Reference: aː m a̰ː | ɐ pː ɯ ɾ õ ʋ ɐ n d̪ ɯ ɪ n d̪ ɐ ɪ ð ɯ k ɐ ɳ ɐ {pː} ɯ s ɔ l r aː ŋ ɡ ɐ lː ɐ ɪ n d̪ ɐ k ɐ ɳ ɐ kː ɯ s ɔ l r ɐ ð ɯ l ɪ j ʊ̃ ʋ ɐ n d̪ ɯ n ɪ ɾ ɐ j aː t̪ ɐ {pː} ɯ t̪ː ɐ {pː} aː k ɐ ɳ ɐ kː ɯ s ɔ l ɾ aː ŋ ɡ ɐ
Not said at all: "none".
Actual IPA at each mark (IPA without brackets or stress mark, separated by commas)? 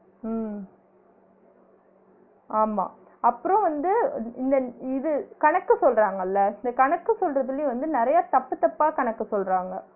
kː, pː, pː